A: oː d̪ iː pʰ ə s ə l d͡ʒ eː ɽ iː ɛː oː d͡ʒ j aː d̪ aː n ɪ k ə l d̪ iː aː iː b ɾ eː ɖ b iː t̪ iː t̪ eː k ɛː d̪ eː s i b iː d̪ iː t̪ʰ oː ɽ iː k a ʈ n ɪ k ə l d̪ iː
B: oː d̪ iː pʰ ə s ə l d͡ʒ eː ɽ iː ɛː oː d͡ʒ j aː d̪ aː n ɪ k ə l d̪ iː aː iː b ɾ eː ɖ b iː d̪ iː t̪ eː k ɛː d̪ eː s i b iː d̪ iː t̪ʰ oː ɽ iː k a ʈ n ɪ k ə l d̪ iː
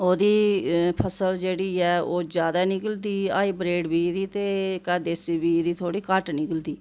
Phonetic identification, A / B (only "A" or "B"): B